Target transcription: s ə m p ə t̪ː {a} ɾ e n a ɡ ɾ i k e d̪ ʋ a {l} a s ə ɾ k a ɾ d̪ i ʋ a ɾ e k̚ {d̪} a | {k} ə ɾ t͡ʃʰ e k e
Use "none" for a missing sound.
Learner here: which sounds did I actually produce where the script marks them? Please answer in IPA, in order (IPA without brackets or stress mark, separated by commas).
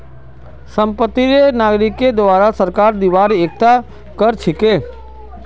i, ɾ, t̪, k